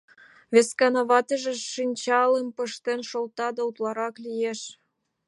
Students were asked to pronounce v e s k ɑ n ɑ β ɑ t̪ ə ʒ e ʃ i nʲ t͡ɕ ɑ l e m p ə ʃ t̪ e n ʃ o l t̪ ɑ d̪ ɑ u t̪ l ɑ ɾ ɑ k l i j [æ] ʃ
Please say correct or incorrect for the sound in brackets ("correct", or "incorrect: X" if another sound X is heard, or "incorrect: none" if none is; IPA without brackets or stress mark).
incorrect: e